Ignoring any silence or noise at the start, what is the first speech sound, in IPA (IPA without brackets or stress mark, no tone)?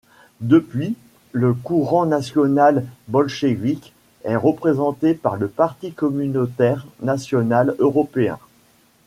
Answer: d̪